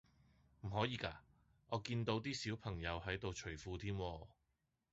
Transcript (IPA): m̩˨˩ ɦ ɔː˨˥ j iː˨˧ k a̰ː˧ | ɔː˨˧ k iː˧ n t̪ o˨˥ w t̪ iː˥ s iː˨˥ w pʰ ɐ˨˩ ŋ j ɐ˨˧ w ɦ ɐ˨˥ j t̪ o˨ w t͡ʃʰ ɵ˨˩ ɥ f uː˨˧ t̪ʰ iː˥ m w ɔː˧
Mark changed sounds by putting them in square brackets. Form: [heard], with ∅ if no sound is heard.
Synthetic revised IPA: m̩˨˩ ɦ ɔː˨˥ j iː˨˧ k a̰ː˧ | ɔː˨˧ k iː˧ n t̪ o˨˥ w t̪ iː˥ s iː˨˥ w pʰ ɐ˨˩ ŋ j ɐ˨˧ w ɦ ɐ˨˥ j t̪ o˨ w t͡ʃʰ ɵ˨˩ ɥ f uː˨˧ t̪ʰ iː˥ m w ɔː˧